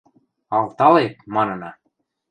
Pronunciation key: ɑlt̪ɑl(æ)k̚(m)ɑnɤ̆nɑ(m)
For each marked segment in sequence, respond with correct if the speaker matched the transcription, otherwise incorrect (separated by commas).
incorrect, correct, incorrect